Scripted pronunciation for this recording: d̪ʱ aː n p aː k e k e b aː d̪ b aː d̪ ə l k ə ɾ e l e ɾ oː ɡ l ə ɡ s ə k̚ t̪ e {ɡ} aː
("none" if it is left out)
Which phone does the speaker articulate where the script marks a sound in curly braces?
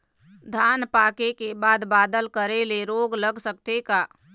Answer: k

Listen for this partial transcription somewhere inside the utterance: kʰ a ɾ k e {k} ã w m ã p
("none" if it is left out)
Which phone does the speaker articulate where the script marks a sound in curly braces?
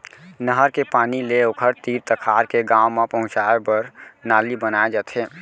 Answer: ɡ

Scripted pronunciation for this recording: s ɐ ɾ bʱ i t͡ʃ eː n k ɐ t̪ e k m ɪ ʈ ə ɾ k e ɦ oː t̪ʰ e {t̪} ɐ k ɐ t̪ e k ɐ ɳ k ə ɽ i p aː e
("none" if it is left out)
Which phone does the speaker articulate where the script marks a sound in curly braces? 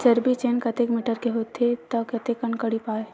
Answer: t̪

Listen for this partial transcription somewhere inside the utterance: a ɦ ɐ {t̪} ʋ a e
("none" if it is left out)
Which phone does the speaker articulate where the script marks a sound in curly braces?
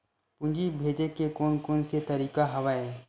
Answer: none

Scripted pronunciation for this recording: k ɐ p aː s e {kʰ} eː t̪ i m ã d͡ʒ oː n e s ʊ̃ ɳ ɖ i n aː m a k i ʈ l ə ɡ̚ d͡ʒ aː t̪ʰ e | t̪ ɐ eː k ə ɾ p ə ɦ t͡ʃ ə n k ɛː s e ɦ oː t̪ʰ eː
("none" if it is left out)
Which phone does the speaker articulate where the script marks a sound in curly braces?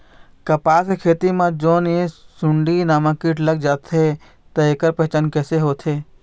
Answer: kʰ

